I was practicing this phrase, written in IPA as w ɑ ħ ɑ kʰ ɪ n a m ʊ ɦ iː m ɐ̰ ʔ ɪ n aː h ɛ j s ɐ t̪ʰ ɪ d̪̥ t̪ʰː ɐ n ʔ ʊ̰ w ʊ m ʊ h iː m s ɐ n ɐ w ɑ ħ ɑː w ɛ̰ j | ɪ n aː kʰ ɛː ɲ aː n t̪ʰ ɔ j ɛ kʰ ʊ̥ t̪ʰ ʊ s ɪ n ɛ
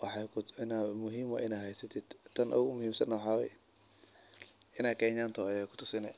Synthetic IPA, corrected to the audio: w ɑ ħ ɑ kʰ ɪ n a m ʊ ɦ iː m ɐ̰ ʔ ɪ n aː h ɛ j s ɐ t̪ʰ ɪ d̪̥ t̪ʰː ɐ n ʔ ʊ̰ ɣ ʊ m ʊ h iː m s ɐ n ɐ w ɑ ħ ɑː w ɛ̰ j | ɪ n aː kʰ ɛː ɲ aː n t̪ʰ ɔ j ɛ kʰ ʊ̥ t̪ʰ ʊ s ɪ n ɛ